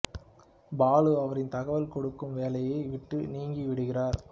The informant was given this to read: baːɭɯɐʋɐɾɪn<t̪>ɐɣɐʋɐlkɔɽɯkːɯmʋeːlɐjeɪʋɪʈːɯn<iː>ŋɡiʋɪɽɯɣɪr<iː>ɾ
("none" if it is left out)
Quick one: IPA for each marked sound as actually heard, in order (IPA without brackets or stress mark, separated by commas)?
t̪, iː, aː